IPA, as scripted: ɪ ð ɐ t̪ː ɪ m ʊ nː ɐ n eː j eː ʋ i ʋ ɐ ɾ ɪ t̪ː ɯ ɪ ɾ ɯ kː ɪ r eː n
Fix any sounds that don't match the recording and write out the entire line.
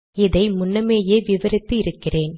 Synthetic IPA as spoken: ɪ ð ɐ ɪ m ʊ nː ɐ m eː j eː ʋ ɪ ʋ ɐ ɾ ɪ t̪ː ɯ ɪ ɾ ɯ kː ɪ r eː n